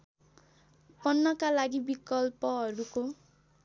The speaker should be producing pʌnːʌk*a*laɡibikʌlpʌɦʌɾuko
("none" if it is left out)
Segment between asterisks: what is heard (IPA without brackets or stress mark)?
a